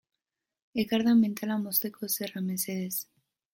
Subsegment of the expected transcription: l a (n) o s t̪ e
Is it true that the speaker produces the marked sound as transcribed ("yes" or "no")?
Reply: no